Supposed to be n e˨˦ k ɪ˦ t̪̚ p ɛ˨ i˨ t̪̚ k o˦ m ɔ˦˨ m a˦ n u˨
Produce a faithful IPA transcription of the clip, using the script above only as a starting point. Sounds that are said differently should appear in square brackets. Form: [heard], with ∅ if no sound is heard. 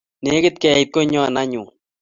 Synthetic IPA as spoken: n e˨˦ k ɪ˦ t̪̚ [k] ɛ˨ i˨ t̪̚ k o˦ [ɲ] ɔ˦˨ [n] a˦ [ɲ] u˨